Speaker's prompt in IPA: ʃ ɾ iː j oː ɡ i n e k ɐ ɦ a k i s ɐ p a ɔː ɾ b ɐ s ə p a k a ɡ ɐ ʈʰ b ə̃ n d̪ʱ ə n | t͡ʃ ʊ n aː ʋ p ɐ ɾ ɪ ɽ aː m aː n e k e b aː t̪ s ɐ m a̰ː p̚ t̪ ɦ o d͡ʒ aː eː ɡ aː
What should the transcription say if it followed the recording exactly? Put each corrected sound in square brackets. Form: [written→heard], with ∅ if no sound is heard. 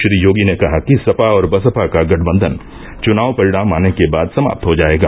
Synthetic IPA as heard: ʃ ɾ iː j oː ɡ i n e k ɐ ɦ a k i s ɐ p a ɔː ɾ b ɐ s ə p a k a ɡ ɐ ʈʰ b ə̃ n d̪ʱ ə n | t͡ʃ ʊ n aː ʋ p ɐ ɾ ɪ ɽ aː m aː n e k e b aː [t̪→d̪] s ɐ m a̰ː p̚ t̪ ɦ o d͡ʒ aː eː ɡ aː